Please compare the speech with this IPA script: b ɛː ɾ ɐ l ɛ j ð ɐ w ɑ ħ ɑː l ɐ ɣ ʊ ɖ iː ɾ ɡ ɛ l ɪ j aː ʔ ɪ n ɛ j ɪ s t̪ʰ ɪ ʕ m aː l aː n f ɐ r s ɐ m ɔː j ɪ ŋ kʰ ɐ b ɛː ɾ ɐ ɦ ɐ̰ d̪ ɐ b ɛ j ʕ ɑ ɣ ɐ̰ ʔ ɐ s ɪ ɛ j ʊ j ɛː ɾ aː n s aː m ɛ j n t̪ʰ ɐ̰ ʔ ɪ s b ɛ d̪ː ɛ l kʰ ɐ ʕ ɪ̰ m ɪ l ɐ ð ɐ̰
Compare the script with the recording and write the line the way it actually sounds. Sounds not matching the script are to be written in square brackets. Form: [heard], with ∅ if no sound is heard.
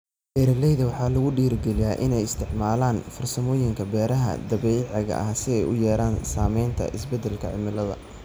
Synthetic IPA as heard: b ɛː ɾ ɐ l ɛ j ð ɐ w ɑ ħ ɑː l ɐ ɣ ʊ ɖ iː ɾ ɡ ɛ l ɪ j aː ʔ ɪ n ɛ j ɪ s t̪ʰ ɪ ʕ m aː l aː n f ɐ r s ɐ m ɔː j ɪ ŋ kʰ ɐ b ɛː ɾ ɐ ɦ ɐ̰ d̪ ɐ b ɛ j ʕ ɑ ɣ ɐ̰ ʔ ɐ s ɪ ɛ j ʊ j ɛː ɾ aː n s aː m ɛ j n t̪ʰ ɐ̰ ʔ ɪ s b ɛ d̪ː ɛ l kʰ ɐ ʕ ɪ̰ m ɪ l ɐ ð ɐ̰